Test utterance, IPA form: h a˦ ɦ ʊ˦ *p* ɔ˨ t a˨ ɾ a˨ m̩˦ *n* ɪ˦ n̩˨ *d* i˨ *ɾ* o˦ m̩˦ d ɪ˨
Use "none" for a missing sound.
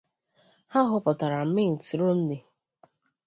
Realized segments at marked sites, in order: p, m, t, ɾ

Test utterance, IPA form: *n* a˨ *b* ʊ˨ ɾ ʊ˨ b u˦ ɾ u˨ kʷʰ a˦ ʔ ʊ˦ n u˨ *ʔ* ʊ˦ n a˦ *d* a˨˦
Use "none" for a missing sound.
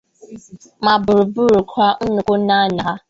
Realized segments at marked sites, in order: m, b, k, n

